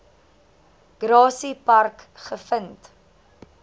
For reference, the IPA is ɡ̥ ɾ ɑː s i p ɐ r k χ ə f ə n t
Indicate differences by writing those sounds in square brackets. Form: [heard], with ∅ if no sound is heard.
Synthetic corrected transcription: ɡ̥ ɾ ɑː s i p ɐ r k χ ə f ə n t